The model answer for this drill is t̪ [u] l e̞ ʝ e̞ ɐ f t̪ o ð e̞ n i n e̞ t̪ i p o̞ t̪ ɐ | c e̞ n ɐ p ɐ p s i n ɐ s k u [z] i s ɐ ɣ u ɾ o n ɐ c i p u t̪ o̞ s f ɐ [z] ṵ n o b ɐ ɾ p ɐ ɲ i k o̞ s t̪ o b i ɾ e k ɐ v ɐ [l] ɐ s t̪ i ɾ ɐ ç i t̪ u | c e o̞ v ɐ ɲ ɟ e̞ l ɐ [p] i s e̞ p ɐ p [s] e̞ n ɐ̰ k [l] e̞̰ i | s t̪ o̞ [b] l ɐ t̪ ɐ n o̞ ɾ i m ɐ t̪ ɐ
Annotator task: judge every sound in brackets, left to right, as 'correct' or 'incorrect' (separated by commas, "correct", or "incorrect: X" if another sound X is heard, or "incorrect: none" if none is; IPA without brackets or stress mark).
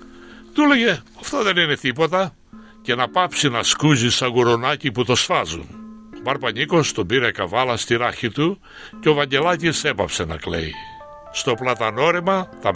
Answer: correct, correct, correct, correct, incorrect: c, correct, correct, incorrect: p